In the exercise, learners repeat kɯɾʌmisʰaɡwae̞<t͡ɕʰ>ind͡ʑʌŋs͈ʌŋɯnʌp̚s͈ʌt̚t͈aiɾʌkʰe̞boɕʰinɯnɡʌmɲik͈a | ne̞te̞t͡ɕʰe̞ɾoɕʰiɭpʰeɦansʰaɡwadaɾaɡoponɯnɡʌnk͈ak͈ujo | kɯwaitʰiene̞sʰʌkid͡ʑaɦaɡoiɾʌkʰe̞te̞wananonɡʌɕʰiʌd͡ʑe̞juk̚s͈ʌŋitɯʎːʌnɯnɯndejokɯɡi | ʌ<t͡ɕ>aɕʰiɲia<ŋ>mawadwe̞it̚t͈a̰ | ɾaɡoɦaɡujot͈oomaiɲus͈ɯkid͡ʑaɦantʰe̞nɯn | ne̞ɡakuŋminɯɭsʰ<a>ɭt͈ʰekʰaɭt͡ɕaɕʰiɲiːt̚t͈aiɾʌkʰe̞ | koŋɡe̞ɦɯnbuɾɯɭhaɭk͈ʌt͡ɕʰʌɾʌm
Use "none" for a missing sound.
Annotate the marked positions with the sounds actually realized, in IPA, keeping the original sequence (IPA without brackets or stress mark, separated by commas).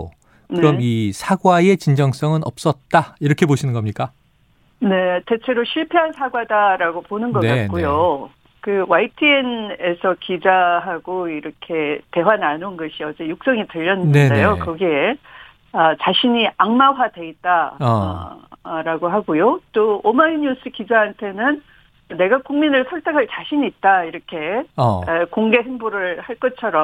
t͡ɕ, t͡ɕ, ŋ, ʌ